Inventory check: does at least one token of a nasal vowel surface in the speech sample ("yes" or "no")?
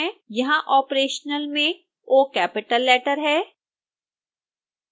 yes